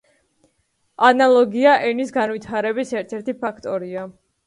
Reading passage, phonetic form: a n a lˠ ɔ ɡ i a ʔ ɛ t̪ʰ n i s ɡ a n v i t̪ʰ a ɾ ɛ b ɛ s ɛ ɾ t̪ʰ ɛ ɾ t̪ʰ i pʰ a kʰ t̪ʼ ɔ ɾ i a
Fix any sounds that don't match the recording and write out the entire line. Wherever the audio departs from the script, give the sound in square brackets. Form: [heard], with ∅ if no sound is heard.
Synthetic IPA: a n a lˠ ɔ ɡ i a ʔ ɛ [∅] n i s ɡ a n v i t̪ʰ a ɾ ɛ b [i] s ɛ ɾ t̪ʰ ɛ ɾ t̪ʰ i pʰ a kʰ t̪ʼ ɔ ɾ i a

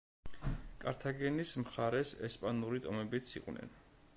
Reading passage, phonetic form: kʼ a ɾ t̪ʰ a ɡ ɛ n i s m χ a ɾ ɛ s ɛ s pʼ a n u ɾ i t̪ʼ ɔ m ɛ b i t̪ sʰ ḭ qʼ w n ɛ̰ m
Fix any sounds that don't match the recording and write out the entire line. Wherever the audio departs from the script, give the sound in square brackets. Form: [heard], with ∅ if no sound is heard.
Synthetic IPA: kʼ a ɾ t̪ʰ a ɡ ɛ n i s m χ a ɾ ɛ s ɛ s pʼ a n u ɾ i t̪ʼ ɔ m ɛ b i t̪ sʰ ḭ qʼ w n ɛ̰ [n]

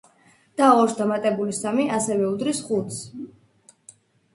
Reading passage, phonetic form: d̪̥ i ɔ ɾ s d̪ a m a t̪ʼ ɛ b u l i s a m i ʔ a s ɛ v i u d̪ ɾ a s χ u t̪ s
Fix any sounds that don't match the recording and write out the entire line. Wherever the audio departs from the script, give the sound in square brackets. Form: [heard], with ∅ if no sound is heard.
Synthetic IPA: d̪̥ [a] ɔ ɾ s d̪ a m a t̪ʼ ɛ b u l i s a m i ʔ a s ɛ v [ɛ] u d̪ ɾ [i] s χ u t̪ s

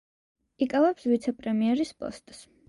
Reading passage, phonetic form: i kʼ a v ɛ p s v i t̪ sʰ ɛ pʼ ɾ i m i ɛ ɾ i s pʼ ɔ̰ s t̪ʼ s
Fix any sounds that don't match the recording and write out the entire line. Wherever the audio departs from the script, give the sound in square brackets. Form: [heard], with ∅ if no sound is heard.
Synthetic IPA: i kʼ a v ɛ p s v i t̪ sʰ ɛ pʼ ɾ [ɛ] m i ɛ ɾ i s pʼ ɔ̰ s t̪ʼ s

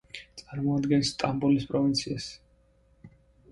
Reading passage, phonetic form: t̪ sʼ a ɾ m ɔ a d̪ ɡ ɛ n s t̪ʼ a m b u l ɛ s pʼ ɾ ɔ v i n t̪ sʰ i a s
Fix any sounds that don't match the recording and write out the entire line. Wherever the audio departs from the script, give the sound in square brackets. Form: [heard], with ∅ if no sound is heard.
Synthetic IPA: t̪ sʼ a ɾ m ɔ a d̪ ɡ ɛ n s t̪ʼ a m b u l [i] s pʼ ɾ ɔ v i n t̪ sʰ i a s

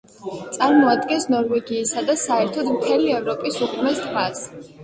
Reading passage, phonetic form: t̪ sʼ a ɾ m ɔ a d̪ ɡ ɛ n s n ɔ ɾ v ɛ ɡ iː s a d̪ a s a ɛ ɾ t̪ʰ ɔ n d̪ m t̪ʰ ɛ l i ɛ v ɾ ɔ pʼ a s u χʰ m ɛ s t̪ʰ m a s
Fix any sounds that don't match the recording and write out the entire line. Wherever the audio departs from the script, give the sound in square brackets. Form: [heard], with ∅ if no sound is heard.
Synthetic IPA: t̪ sʼ a ɾ m ɔ a d̪ ɡ ɛ n s n ɔ ɾ v ɛ ɡ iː s a d̪ a s a ɛ ɾ t̪ʰ ɔ [∅] d̪ m t̪ʰ ɛ l i ɛ v ɾ ɔ pʼ [i] s u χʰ m ɛ s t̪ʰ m a s

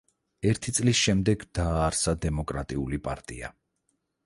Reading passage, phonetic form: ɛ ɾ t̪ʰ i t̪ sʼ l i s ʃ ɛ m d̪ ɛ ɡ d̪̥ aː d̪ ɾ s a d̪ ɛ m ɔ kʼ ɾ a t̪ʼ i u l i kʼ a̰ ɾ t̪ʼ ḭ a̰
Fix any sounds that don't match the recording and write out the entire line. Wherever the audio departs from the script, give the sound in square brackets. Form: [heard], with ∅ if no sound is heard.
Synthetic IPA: ɛ ɾ t̪ʰ i t̪ sʼ l i s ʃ ɛ m d̪ ɛ ɡ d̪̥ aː [∅] ɾ s a d̪ ɛ m ɔ kʼ ɾ a t̪ʼ i u l i [pʼ] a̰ ɾ t̪ʼ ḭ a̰

